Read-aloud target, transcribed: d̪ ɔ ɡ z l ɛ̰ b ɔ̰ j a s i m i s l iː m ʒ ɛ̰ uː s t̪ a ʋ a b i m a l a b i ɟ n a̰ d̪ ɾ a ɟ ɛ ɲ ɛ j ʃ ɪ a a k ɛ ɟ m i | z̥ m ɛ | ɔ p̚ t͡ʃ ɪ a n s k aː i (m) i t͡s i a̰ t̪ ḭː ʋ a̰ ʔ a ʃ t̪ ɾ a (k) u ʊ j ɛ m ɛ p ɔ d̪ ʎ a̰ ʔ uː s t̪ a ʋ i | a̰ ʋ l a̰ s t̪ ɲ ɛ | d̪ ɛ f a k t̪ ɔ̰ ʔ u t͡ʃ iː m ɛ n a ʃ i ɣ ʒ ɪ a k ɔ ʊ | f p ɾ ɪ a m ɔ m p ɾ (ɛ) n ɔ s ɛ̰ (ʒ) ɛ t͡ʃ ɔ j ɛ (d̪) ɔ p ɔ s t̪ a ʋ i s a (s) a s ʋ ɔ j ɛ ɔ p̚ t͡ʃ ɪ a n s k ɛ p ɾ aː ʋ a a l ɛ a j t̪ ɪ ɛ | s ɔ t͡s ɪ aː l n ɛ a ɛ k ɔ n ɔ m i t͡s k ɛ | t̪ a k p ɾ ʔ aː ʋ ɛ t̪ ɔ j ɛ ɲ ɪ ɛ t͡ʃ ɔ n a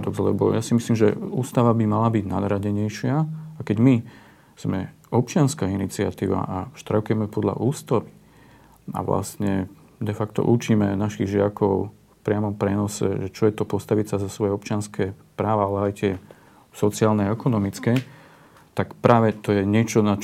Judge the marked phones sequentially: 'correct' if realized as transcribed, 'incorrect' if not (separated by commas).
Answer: incorrect, correct, correct, correct, incorrect, incorrect